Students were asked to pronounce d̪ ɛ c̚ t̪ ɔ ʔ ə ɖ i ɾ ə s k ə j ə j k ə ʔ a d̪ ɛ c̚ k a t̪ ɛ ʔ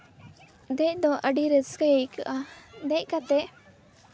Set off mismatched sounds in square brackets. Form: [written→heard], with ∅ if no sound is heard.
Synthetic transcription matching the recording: d̪ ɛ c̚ [t̪→d̪] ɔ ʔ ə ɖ i ɾ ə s k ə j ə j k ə ʔ a d̪ ɛ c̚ k a t̪ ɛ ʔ